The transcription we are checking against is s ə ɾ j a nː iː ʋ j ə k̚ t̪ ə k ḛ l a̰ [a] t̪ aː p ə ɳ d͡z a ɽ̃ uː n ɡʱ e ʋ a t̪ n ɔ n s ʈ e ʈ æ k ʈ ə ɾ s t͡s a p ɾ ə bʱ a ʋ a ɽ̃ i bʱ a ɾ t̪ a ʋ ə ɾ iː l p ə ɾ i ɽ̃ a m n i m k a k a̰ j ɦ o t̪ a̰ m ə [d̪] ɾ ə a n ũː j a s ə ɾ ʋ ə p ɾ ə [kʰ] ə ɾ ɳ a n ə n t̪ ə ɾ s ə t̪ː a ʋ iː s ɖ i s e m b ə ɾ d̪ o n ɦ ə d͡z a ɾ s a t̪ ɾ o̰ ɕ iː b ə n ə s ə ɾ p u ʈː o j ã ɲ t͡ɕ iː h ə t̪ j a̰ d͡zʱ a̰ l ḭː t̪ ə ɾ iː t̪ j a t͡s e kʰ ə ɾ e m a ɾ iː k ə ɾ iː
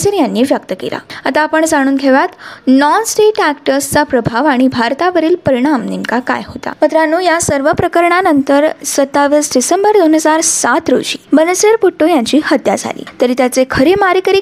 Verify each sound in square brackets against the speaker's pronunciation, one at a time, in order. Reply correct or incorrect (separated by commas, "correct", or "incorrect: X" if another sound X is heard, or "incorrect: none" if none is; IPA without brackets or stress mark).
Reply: correct, incorrect: t̪, incorrect: k